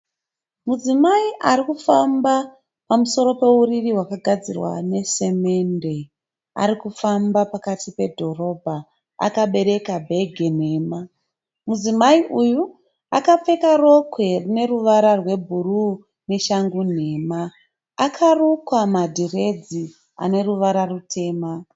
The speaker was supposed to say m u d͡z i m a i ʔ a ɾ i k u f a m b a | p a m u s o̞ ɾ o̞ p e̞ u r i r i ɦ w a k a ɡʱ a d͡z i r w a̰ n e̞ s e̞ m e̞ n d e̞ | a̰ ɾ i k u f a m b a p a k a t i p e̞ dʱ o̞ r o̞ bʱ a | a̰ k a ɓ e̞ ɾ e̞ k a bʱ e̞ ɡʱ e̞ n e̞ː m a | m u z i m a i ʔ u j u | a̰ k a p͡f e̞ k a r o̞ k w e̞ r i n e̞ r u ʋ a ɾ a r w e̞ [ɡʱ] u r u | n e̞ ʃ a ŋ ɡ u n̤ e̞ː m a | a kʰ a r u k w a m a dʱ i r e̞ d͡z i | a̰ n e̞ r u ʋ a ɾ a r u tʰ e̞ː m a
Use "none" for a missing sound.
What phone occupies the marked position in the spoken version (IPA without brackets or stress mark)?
bʱ